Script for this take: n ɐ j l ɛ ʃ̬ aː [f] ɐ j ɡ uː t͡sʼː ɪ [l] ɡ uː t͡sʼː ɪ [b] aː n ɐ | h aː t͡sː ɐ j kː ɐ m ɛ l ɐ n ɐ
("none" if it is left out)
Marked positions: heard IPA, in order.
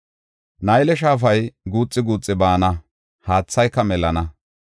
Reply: f, none, b

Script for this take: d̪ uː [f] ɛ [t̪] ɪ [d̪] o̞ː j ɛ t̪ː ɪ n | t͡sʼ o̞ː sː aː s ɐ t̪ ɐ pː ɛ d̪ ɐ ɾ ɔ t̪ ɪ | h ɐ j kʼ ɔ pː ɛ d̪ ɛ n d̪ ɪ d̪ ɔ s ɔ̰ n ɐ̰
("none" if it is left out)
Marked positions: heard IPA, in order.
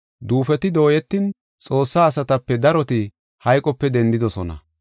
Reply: f, t̪, d̪

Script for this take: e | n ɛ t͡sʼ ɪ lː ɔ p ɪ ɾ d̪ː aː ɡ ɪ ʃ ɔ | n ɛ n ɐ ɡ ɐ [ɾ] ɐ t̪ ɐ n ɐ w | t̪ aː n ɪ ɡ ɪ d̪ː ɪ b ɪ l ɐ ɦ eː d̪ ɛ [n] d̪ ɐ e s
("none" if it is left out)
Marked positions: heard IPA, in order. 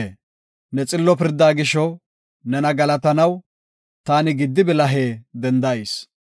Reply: l, n

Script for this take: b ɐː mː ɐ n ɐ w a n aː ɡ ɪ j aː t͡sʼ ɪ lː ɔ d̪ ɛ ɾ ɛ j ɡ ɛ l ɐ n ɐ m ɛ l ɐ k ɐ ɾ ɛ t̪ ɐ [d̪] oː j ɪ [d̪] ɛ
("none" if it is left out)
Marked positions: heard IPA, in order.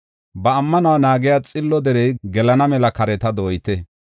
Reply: d̪, t̪

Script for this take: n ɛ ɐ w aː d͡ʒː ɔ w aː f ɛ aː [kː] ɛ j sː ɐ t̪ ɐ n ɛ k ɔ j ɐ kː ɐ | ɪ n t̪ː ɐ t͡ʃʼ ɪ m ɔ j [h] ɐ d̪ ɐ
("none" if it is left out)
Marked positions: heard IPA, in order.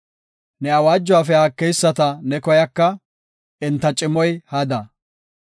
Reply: kː, h

